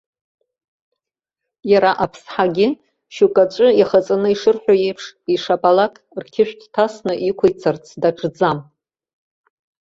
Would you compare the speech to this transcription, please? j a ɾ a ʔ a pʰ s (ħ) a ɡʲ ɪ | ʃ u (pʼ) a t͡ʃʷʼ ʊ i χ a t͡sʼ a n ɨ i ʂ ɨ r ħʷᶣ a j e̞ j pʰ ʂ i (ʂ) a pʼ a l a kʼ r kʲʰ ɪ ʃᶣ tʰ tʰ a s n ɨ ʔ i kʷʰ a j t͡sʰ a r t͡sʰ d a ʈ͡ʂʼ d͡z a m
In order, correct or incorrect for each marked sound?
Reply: correct, incorrect, correct

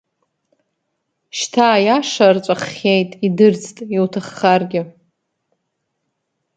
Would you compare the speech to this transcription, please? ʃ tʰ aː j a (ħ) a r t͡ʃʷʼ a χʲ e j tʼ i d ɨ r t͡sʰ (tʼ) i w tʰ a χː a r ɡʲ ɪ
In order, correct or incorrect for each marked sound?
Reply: incorrect, correct

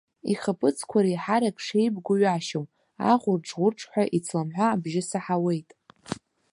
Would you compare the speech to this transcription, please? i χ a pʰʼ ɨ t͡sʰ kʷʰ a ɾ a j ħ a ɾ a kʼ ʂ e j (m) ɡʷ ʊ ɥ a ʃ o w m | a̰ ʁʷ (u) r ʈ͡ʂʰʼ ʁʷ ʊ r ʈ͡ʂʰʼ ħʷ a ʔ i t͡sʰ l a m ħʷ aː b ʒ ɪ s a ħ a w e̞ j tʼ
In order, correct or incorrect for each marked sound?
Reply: incorrect, incorrect

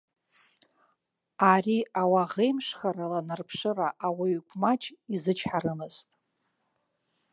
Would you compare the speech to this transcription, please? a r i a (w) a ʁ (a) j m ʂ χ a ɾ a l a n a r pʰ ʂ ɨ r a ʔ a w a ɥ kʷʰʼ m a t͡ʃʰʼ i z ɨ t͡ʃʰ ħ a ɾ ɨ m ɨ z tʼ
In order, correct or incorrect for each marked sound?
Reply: correct, incorrect

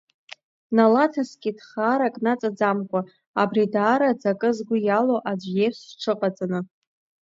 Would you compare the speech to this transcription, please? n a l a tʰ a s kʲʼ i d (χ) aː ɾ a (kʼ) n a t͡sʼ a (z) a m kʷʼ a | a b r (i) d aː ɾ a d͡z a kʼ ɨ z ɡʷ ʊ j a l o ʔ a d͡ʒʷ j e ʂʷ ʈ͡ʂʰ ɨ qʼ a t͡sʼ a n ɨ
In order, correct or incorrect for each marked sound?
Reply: correct, correct, incorrect, correct

